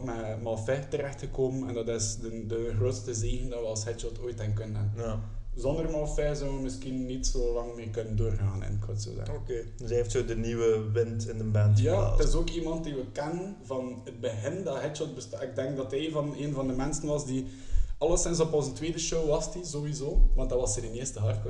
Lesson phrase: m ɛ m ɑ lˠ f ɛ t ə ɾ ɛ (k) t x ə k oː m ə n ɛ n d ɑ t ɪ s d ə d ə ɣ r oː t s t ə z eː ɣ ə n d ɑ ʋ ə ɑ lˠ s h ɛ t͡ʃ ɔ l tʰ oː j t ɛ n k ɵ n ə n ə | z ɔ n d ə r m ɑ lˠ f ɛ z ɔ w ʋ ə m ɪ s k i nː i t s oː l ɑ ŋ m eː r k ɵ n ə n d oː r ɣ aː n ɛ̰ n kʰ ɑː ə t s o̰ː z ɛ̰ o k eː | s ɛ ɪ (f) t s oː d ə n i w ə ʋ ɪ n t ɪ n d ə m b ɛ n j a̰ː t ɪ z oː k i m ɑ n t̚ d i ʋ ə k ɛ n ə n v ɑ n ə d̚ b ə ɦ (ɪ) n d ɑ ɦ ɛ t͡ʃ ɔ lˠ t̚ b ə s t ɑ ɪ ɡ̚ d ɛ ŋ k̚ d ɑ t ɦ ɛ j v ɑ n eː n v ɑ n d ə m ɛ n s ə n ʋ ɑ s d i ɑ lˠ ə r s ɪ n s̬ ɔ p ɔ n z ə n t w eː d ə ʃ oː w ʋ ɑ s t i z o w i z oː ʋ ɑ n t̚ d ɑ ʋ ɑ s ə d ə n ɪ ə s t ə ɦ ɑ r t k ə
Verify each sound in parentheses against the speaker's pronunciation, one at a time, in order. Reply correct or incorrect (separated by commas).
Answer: incorrect, correct, correct